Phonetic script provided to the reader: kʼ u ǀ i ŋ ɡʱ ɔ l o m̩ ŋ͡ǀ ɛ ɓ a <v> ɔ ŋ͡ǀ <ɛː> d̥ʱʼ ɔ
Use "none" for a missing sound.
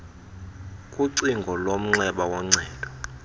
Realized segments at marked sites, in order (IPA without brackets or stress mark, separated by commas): w, ɛː